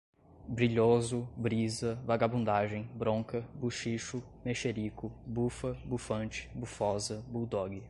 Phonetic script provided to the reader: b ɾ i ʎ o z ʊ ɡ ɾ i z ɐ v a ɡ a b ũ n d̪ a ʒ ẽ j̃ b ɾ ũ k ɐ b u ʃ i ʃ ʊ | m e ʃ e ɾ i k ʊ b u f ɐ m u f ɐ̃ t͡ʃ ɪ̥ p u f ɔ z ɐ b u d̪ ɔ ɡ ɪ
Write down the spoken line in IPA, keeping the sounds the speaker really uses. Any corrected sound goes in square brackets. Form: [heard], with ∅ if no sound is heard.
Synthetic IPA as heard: b ɾ i ʎ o z ʊ [b] ɾ i z ɐ v a ɡ a b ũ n d̪ a ʒ ẽ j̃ b ɾ [õ] k ɐ b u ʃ i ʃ ʊ | m e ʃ e ɾ i k ʊ b u f ɐ [b] u f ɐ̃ t͡ʃ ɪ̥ [b] u f ɔ z ɐ b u d̪ ɔ ɡ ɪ